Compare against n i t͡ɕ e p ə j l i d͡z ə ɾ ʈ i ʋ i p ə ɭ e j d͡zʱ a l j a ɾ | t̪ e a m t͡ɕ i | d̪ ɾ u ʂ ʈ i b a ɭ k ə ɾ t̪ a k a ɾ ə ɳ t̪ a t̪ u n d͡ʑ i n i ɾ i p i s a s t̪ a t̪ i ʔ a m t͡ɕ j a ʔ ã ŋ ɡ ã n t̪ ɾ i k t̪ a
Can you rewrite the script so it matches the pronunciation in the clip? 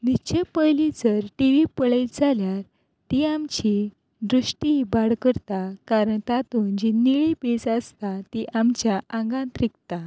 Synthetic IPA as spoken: n i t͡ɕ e p ə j l i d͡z ə ɾ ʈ i ʋ i p ə ɭ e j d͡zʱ a l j a ɾ | t̪ i a m t͡ɕ i | d̪ ɾ u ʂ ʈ i b a ɽ k ə ɾ t̪ a k a ɾ ə ɳ t̪ a t̪ u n d͡ʑ i n i ɭ i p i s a s t̪ a t̪ i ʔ a m t͡ɕ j a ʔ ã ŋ ɡ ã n t̪ ɾ i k t̪ a